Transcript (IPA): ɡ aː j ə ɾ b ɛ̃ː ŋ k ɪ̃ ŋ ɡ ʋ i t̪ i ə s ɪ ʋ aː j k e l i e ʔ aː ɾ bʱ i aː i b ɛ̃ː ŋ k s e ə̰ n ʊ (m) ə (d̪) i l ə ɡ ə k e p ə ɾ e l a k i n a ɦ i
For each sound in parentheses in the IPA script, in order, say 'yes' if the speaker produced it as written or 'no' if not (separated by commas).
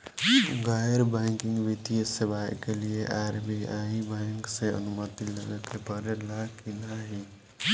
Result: yes, no